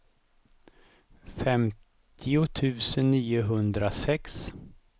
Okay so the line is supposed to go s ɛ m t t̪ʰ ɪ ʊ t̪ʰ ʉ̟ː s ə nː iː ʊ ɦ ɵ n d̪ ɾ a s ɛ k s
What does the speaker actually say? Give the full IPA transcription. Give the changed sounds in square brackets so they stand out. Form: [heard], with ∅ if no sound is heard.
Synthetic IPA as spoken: [f] ɛ m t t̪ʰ ɪ ʊ t̪ʰ ʉ̟ː s ə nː iː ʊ ɦ ɵ n d̪ ɾ a s ɛ k s